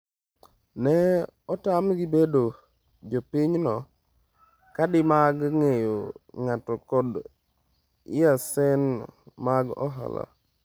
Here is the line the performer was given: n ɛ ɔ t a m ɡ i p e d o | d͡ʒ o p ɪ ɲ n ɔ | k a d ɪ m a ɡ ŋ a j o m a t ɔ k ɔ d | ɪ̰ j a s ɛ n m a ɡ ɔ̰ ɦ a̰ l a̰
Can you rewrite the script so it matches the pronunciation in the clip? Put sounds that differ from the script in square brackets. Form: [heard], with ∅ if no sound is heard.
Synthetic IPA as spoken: n ɛ ɔ t a m ɡ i [b] e d o | d͡ʒ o p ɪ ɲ n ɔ | k a d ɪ m a ɡ ŋ [e] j o [ŋ] a t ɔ k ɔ d | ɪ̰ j a s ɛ n m a ɡ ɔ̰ ɦ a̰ l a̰